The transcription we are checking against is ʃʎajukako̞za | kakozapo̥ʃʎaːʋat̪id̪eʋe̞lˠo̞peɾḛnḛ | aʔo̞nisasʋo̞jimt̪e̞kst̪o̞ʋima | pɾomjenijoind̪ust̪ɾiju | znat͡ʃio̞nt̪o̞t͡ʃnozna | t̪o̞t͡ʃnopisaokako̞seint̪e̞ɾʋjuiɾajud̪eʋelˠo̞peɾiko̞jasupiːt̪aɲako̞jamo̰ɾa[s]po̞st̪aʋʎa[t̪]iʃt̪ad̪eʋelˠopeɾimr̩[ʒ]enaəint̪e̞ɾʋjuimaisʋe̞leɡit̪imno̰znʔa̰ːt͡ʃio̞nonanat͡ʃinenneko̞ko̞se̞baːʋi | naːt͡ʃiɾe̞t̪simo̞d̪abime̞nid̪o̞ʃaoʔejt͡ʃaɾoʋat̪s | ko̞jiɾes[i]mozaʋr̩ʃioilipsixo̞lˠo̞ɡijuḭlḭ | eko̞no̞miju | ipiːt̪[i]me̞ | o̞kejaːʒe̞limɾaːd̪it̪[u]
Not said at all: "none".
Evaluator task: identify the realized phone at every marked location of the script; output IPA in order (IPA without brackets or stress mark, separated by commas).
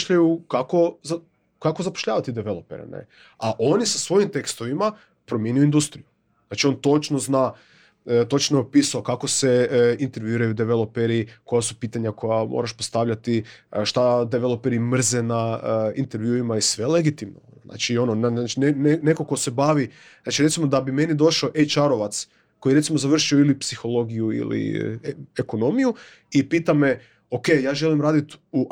ʃ, t̪, z, i, a, u